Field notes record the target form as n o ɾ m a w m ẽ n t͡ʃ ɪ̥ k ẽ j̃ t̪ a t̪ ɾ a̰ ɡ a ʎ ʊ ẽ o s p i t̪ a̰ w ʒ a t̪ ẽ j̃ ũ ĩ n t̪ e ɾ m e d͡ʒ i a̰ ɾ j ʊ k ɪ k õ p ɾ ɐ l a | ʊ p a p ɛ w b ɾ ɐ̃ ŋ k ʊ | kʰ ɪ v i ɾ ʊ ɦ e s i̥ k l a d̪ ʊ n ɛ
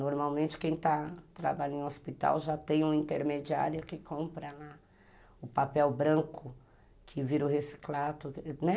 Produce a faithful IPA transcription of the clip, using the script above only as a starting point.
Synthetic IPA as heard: n o ɾ m a w m ẽ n t͡ʃ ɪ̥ k ẽ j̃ t̪ a t̪ ɾ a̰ b a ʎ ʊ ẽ o s p i t̪ a̰ w ʒ a t̪ ẽ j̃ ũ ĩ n t̪ e ɾ m e d͡ʒ i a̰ ɾ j ʊ k ɪ k õ p ɾ ɐ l a | ʊ p a p ɛ w b ɾ ɐ̃ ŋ k ʊ | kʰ ɪ v i ɾ ʊ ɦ e s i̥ k l a t̪ ʊ n ɛ